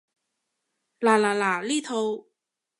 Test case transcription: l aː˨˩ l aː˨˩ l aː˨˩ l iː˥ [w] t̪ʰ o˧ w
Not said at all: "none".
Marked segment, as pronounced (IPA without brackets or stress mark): none